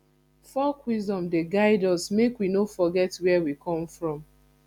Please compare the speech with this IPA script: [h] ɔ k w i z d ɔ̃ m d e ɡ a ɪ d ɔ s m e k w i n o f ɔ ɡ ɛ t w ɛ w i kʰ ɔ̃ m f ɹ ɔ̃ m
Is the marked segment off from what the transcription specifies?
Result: yes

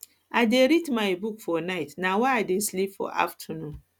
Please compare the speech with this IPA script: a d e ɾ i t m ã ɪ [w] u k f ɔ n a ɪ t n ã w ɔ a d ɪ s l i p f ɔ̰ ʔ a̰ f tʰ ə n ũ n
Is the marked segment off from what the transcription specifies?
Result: yes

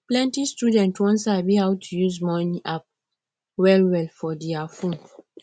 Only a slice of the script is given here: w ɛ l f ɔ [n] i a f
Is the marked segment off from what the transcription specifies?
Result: yes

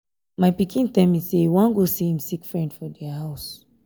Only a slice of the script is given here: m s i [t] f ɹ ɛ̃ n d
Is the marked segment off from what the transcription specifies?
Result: yes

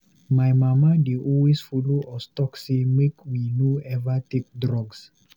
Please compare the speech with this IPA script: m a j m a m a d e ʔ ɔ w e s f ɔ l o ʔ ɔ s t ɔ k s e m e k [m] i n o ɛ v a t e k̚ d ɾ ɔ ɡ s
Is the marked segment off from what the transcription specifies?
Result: no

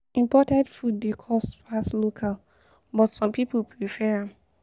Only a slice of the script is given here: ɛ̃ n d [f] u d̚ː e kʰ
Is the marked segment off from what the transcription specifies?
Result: no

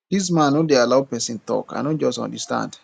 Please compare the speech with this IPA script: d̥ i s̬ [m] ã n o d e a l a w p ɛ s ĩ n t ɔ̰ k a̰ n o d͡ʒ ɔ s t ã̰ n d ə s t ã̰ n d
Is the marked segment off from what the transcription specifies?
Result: no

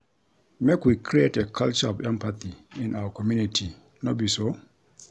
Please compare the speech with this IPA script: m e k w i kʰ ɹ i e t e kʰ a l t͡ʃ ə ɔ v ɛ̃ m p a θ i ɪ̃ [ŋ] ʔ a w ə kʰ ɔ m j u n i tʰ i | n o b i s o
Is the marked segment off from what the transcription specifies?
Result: yes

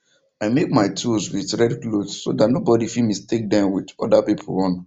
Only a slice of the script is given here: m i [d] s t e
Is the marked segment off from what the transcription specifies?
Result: yes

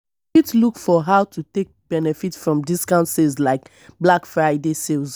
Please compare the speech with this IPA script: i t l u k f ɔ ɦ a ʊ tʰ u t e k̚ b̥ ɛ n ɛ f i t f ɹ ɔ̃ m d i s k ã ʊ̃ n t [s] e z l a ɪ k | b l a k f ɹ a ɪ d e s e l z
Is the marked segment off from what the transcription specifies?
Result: no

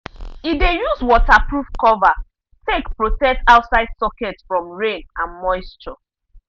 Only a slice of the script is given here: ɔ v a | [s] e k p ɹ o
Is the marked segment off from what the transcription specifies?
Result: yes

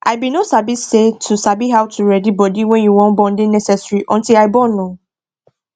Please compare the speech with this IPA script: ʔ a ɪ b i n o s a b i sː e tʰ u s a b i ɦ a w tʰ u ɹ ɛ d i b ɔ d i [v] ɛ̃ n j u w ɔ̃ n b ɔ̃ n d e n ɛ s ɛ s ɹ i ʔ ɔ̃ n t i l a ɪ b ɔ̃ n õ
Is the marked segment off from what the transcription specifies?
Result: yes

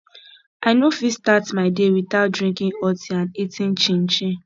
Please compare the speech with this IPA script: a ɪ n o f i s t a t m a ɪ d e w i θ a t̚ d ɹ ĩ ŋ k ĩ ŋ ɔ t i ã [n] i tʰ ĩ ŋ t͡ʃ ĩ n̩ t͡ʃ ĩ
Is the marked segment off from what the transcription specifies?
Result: no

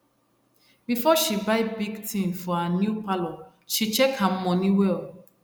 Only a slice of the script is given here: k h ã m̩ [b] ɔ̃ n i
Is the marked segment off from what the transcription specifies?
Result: yes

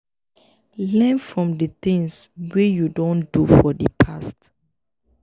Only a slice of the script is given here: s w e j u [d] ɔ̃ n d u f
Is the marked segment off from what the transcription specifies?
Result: no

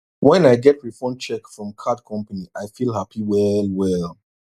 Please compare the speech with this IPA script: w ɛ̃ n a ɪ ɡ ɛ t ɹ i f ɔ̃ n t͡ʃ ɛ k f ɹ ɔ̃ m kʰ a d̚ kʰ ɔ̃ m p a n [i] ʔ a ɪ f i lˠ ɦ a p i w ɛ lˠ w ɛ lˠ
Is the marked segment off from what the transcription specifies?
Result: no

